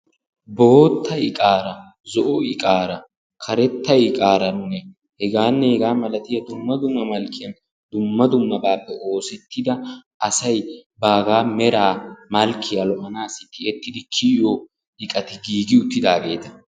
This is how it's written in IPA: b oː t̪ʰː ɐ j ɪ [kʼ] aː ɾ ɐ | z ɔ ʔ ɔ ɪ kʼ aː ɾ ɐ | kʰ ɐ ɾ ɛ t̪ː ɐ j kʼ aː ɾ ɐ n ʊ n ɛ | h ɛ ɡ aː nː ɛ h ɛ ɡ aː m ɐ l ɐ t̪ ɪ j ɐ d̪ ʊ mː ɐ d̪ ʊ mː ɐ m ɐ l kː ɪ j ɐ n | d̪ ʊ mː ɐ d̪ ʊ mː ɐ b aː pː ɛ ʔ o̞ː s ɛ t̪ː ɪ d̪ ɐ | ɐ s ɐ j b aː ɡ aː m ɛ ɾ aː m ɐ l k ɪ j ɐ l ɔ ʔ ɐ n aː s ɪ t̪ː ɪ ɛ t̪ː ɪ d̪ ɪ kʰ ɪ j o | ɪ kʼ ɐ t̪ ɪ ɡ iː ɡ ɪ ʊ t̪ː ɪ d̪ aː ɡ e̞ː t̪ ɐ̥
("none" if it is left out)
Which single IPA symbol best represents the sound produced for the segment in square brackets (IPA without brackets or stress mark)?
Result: kʼ